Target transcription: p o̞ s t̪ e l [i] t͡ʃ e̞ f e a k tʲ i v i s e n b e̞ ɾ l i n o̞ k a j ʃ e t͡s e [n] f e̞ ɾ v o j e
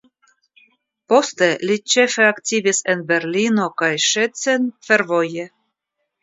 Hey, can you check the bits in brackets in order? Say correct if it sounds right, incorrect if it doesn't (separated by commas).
correct, correct